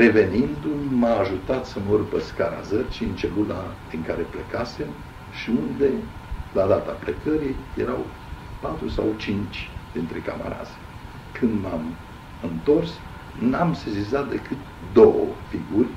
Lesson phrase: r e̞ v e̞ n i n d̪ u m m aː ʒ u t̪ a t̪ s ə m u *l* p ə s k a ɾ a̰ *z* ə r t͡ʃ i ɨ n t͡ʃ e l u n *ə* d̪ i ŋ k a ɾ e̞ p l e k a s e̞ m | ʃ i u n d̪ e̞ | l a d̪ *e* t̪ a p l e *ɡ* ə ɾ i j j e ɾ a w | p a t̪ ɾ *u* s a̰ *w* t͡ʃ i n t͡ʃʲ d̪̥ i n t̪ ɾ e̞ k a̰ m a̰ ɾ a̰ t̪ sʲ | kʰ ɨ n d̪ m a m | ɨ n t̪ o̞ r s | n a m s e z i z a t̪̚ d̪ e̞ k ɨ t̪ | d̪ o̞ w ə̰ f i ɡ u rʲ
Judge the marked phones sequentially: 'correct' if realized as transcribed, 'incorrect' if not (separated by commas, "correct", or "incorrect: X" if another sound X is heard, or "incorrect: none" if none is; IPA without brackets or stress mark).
incorrect: r, correct, incorrect: a, incorrect: a, incorrect: k, correct, correct